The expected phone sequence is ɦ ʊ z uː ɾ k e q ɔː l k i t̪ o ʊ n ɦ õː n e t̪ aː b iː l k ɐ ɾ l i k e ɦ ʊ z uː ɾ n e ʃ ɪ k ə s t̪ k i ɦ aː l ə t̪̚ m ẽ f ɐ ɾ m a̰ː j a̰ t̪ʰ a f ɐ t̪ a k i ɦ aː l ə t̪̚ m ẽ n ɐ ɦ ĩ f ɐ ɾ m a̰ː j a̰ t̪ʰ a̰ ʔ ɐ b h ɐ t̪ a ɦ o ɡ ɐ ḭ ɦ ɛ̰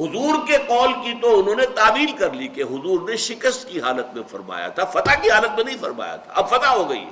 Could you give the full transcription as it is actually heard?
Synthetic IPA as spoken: ɦ ʊ z uː ɾ k e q ɔː l k i t̪ o ʊ n ɦ õː n e t̪ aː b iː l k ɐ ɾ l i k e ɦ ʊ z uː ɾ n e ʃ ɪ k ə s t̪ k i ɦ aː l ə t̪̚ m ẽ f ɐ ɾ m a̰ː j a̰ t̪ʰ a f ɐ t̪ a k i ɦ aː l ə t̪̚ m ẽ n ɐ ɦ ĩ f ɐ ɾ m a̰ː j a̰ t̪ʰ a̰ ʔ ɐ b f ɐ t̪ a ɦ o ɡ ɐ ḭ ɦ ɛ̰